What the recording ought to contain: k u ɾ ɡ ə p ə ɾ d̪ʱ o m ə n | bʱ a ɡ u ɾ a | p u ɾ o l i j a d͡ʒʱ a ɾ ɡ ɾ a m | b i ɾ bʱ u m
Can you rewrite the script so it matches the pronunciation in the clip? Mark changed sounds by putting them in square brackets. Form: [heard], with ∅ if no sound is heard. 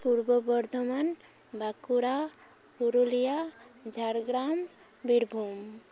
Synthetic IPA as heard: [p] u ɾ [b] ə [b] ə ɾ d̪ʱ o m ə n | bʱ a [k] u ɾ a | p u ɾ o l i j a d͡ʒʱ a ɾ ɡ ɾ a m | b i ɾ bʱ u m